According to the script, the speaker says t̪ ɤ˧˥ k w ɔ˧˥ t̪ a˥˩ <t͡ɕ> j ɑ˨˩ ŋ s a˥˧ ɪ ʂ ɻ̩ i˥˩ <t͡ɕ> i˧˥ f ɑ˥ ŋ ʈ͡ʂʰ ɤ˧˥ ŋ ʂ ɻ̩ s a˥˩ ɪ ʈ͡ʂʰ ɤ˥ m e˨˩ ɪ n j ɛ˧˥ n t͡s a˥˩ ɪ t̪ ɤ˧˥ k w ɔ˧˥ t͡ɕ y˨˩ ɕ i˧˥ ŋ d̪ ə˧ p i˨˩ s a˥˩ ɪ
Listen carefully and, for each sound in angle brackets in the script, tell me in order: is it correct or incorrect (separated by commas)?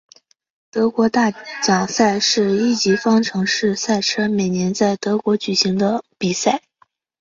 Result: correct, correct